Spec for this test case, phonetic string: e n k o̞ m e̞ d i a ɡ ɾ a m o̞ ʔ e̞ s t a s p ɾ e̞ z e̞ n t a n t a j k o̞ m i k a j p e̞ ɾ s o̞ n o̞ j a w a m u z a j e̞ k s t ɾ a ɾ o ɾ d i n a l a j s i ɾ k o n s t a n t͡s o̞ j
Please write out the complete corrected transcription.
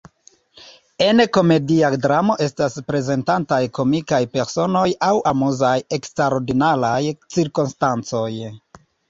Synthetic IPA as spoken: e n k o̞ m e̞ d i a d ɾ a m o̞ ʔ e̞ s t a s p ɾ e̞ z e̞ n t a n t a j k o̞ m i k a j p e̞ ɾ s o̞ n o̞ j a w a m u z a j e̞ k s t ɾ a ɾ o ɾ d i n a l a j t͡s i ɾ k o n s t a n t͡s o̞ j